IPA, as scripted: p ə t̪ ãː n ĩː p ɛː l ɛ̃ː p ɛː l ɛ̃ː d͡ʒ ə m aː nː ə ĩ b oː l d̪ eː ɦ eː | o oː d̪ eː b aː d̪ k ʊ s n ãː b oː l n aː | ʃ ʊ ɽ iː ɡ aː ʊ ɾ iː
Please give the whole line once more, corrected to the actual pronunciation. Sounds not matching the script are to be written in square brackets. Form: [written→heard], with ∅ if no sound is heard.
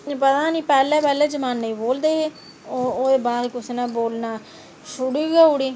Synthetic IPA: p ə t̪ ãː n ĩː p ɛː l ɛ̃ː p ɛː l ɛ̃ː d͡ʒ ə m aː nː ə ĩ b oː l d̪ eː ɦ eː | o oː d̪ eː b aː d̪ k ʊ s n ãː b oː l n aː | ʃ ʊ ɽ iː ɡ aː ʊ [ɾ→ɽ] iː